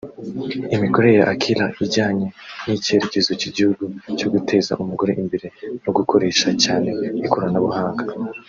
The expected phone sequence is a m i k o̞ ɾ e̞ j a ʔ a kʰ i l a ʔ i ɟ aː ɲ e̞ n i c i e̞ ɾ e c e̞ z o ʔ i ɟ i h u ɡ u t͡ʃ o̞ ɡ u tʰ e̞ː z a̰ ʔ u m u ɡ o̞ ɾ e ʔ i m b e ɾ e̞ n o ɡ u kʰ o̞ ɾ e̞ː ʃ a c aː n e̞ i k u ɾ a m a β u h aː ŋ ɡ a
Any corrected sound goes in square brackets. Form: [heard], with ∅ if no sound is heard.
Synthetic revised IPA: [i] m i k o̞ ɾ e̞ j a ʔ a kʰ i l a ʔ i ɟ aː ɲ e̞ n i c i e̞ ɾ e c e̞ z o [c] i ɟ i h u ɡ u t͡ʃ o̞ ɡ u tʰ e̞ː z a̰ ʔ u m u ɡ o̞ ɾ e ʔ i m b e ɾ e̞ n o ɡ u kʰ o̞ ɾ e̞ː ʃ a c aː n e̞ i k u ɾ a [n] a β u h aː ŋ ɡ a